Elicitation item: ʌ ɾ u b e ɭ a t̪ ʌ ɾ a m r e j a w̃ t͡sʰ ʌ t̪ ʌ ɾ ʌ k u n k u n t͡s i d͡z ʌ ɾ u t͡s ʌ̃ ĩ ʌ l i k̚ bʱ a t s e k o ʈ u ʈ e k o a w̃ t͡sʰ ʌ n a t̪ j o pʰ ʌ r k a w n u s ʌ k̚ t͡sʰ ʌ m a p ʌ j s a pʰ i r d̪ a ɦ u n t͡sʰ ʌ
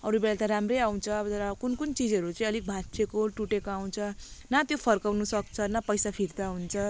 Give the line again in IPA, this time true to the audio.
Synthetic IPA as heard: ʌ ɾ u b e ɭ a t̪ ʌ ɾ a m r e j a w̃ t͡sʰ ʌ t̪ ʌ ɾ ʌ k u n k u n t͡s i d͡z ʌ ɾ u t͡s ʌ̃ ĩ ʌ l i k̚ bʱ a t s e k o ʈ u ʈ e k o a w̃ t͡sʰ ʌ n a t̪ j o pʰ ʌ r k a w n u s ʌ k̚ t͡sʰ ʌ n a p ʌ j s a pʰ i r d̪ a ɦ u n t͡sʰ ʌ